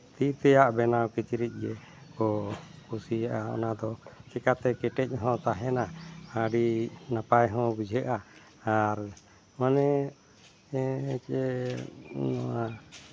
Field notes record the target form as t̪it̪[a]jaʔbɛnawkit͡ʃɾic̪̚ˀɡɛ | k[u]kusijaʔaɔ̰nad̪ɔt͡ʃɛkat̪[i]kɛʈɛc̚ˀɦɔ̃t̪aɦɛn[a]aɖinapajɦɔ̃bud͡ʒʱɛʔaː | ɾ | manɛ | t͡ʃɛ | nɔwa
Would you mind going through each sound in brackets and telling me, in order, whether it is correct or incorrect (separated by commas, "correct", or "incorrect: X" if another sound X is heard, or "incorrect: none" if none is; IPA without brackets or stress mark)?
incorrect: ɛ, incorrect: ɔ, incorrect: ɛ, correct